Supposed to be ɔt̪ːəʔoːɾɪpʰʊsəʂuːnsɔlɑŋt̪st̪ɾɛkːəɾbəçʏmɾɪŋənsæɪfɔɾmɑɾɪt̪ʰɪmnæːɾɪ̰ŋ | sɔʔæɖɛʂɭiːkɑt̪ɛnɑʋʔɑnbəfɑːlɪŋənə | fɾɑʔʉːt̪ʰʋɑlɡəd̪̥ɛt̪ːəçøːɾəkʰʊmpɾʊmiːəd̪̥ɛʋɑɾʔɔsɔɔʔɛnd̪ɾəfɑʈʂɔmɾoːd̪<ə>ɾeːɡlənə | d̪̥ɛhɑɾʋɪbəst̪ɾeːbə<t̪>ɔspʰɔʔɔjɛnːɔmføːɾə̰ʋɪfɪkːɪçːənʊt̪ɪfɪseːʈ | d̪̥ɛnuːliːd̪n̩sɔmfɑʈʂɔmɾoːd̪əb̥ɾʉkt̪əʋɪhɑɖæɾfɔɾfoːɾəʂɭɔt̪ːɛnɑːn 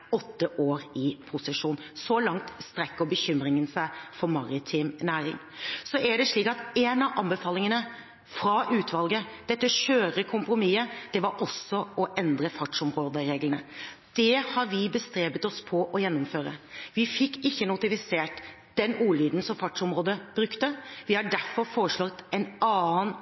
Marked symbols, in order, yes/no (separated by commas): yes, yes